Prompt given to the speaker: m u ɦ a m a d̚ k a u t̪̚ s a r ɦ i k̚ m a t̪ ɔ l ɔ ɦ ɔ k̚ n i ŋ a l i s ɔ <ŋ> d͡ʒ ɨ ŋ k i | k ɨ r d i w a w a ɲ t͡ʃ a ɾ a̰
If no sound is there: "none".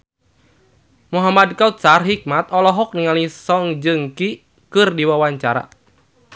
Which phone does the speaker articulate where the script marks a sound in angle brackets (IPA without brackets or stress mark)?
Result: ŋ